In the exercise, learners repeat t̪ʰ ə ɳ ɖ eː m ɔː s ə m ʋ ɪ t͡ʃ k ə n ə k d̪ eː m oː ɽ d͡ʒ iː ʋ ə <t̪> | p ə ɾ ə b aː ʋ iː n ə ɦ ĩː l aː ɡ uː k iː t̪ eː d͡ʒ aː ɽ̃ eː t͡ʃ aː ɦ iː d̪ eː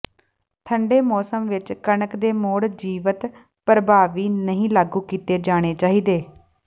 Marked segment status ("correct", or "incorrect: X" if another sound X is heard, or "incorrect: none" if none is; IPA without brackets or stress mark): correct